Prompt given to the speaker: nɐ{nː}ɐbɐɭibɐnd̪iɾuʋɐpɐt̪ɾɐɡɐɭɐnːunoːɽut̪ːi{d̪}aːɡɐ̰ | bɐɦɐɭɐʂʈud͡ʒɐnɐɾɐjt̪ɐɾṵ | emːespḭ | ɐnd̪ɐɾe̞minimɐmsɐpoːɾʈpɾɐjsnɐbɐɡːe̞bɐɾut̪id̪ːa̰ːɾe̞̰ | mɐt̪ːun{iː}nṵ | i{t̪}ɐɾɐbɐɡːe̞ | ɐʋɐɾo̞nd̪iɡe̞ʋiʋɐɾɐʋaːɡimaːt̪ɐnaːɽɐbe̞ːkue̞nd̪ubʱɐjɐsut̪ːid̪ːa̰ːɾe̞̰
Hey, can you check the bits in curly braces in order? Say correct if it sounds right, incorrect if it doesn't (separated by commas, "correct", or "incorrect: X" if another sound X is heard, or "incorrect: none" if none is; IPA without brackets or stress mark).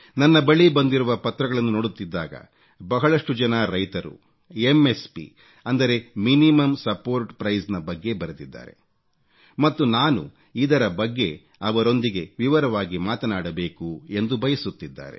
correct, incorrect: d̪ː, incorrect: aː, incorrect: d̪